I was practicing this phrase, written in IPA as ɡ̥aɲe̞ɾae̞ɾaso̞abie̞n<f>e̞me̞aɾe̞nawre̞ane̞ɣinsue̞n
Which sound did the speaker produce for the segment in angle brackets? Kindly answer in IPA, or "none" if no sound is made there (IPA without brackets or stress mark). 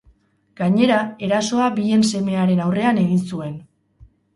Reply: s